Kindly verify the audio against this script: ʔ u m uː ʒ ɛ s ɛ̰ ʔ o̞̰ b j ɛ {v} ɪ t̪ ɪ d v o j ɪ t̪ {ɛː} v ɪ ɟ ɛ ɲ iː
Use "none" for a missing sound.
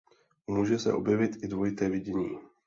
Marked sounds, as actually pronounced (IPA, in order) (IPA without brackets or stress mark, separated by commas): v, ɛː